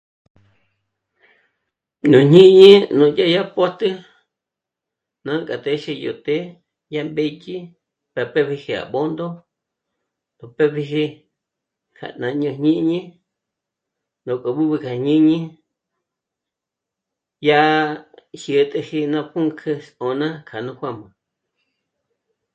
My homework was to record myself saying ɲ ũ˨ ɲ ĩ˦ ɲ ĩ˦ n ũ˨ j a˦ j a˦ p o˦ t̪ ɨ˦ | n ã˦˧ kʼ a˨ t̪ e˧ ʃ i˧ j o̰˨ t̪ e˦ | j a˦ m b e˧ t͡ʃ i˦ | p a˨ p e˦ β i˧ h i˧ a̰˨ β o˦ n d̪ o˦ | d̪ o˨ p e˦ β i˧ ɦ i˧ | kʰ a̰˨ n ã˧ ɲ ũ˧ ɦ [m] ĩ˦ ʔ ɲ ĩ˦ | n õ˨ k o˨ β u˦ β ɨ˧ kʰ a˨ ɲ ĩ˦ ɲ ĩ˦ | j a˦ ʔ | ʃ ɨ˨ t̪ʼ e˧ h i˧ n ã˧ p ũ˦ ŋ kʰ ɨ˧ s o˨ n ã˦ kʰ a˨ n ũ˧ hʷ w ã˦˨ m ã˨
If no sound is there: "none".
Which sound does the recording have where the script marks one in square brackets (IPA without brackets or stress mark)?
ɲ